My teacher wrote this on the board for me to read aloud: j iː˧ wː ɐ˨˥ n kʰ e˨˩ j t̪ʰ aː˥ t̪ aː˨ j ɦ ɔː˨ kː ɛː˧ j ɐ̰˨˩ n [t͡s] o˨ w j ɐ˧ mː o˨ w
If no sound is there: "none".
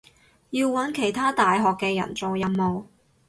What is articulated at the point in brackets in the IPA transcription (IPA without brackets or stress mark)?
t͡s